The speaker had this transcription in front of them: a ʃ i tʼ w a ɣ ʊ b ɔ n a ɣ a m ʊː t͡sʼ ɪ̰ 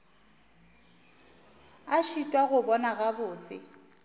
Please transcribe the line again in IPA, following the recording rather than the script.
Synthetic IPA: a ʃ i tʼ w a ɣ ʊ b ɔ n a ɣ a b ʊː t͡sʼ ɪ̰